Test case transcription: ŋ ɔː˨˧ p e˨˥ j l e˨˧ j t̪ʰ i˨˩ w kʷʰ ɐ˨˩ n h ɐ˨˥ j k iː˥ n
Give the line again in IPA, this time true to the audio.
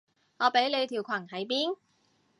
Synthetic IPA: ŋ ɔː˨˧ p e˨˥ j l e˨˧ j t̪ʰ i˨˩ w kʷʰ ɐ˨˩ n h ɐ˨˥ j p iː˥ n